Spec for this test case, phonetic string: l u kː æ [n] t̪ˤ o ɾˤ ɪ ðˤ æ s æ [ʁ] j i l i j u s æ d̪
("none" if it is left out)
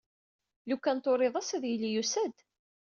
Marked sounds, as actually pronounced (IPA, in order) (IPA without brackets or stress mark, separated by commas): n, ð